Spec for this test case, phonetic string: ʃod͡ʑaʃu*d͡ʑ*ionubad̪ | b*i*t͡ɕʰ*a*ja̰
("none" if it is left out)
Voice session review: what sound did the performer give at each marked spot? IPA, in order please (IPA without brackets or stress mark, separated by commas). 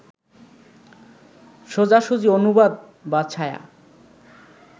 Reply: d͡ʑ, a, a